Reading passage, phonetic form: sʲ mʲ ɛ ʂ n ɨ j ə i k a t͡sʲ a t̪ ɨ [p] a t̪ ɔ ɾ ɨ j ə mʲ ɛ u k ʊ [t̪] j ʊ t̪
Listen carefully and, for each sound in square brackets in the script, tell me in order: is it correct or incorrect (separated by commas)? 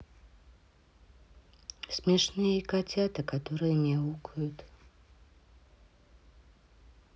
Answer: incorrect, incorrect